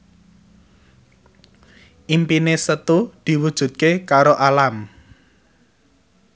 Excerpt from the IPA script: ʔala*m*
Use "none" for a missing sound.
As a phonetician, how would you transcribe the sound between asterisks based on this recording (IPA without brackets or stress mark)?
m